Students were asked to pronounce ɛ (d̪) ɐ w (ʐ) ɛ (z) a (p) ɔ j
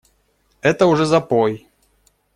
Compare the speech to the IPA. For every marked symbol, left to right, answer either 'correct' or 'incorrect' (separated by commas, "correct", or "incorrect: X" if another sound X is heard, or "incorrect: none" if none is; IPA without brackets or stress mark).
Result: incorrect: t̪, correct, correct, correct